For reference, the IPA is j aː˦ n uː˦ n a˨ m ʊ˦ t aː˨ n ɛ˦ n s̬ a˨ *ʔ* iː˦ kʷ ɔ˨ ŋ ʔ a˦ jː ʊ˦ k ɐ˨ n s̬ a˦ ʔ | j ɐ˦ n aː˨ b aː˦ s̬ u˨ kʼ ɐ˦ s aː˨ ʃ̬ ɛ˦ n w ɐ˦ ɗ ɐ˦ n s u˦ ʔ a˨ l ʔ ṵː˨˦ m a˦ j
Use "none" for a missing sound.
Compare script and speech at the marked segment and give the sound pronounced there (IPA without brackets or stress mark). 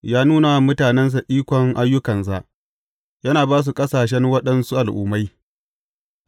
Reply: ʔ